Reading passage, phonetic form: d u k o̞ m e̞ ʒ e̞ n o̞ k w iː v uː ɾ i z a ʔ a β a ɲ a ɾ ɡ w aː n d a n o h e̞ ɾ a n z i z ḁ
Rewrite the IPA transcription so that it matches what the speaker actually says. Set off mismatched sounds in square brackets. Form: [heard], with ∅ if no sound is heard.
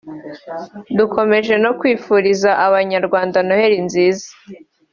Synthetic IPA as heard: d u k o̞ m e̞ ʒ e̞ n o̞ k w iː [f] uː ɾ i z a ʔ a β a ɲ a ɾ ɡ w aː n d a n o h e̞ ɾ [i] n z [iː] z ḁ